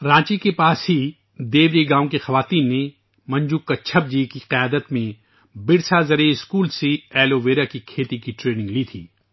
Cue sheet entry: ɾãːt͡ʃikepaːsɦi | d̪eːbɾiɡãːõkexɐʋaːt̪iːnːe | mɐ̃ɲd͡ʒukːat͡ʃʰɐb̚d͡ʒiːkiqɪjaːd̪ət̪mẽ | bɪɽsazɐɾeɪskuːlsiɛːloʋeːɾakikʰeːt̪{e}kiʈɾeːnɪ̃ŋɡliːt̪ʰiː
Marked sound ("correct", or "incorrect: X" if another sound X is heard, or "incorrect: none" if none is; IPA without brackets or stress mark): incorrect: i